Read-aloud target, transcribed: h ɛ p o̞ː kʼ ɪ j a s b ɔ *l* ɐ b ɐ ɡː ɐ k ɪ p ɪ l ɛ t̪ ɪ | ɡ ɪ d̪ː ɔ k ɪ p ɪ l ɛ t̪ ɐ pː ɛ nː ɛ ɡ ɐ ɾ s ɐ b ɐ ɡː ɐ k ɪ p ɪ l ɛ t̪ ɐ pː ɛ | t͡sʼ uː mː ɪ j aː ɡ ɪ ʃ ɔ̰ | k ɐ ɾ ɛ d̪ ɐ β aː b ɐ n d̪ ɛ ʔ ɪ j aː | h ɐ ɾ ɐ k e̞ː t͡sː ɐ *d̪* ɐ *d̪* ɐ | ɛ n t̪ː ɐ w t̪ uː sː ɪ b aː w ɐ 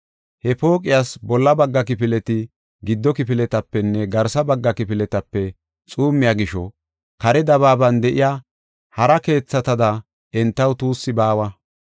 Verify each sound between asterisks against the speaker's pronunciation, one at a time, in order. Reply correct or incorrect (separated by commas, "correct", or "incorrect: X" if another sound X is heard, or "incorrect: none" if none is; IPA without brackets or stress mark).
incorrect: lː, incorrect: t̪, correct